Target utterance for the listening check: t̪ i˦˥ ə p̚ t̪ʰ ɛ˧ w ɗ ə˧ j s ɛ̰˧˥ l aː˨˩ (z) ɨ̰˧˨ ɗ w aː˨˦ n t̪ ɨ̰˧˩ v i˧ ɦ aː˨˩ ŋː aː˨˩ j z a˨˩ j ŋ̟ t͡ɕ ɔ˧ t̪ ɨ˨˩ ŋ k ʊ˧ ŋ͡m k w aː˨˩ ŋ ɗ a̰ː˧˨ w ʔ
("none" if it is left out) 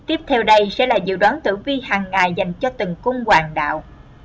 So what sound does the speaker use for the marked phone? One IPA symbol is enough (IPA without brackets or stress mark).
z